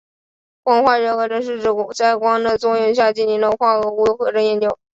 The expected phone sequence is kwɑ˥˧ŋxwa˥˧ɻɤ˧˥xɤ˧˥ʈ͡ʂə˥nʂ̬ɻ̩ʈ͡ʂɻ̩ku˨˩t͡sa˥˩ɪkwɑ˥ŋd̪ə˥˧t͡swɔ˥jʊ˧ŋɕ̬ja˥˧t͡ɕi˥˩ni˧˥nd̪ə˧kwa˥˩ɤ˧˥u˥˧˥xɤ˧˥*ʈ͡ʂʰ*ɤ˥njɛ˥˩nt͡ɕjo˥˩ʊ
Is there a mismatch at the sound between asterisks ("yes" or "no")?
yes